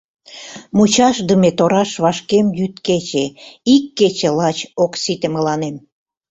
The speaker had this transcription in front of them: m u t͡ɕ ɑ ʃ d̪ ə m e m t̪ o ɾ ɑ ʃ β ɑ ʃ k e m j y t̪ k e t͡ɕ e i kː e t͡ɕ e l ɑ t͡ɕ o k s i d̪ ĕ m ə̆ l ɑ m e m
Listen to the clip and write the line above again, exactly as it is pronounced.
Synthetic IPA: m u t͡ɕ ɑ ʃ d̪ ə m e t̪ o ɾ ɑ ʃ β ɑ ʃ k e m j y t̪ k e t͡ɕ e i kː e t͡ɕ e l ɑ t͡ɕ o k s i t̪ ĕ m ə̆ l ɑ n e m